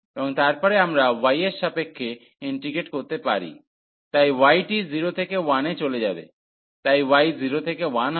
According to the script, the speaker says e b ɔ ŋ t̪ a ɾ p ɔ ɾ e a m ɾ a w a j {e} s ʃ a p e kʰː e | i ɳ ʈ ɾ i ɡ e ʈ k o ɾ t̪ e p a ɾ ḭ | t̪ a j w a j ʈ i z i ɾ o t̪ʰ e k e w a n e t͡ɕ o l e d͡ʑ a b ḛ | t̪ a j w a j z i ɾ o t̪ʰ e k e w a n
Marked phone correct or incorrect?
correct